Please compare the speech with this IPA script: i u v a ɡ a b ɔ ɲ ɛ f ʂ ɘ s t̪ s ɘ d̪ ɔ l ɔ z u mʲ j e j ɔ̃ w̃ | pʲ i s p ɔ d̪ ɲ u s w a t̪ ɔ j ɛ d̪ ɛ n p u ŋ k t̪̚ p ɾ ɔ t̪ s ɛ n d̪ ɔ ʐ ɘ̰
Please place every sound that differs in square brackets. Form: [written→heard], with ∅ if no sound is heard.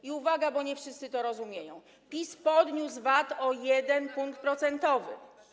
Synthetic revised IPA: i u v a ɡ a b ɔ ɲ ɛ f ʂ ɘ s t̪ s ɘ [d̪→t̪] ɔ [l→ɾ] ɔ z u mʲ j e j ɔ̃ w̃ | pʲ i s p ɔ d̪ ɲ u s [w→v] a t̪ ɔ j ɛ d̪ ɛ n p u ŋ k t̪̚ p ɾ ɔ t̪ s ɛ n [d̪→t̪] ɔ [ʐ→v] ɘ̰